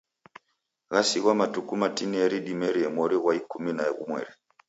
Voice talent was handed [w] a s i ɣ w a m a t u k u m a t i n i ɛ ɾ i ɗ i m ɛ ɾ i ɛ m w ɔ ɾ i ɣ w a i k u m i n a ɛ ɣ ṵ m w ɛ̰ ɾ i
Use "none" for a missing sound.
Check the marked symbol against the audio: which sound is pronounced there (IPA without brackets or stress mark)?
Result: ɣ